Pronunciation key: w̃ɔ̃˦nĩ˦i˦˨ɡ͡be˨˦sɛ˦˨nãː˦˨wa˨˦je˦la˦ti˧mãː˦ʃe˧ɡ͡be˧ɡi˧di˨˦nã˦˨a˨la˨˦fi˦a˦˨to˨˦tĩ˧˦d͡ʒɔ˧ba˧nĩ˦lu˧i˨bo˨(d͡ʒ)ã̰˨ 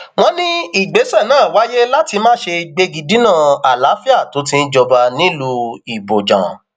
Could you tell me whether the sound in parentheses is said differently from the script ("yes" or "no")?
no